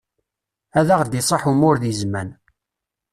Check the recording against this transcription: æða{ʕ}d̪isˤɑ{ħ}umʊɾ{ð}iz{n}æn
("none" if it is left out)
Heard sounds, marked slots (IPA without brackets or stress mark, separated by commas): ʁ, ħ, ð, m